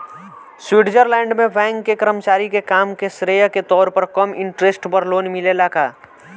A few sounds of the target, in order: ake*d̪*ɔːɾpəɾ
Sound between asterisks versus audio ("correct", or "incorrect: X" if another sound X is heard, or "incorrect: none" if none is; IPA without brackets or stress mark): incorrect: t̪